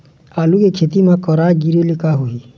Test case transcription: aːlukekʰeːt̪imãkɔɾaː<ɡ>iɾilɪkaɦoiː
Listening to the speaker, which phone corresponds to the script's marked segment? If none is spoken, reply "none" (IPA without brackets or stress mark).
ɡ